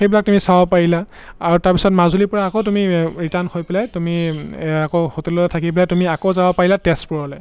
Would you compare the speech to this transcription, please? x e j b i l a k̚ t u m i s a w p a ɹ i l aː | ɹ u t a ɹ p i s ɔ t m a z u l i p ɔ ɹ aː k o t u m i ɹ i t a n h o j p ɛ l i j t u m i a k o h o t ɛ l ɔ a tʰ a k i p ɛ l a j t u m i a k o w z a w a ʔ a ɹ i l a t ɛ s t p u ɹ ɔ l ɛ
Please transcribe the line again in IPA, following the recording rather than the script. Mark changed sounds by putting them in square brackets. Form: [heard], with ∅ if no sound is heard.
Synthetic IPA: x e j b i l a k̚ t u m i s a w p a ɹ i l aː | ɹ u t a ɹ p i s ɔ t m a z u l i p ɔ ɹ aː k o t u m i ɹ i t a n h o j p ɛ l [a] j t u m i a k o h o t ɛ l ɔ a tʰ a k i p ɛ l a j t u m i a k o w z a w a [p] a ɹ i l a t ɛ s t p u ɹ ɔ l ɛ